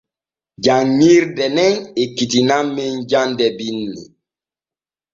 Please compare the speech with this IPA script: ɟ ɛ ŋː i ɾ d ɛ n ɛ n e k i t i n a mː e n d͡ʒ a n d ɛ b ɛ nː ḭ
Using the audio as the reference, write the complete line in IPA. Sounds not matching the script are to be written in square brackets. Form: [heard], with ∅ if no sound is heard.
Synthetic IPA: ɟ [a] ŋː i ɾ d ɛ n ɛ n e k i t i n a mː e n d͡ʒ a n d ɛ b [i] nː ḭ